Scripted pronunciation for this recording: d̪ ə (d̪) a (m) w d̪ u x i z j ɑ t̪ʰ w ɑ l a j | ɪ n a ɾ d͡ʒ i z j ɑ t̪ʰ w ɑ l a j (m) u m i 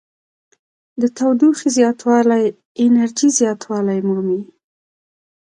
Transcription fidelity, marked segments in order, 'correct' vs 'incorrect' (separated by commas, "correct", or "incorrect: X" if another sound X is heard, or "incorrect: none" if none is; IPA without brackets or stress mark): incorrect: t̪, incorrect: none, correct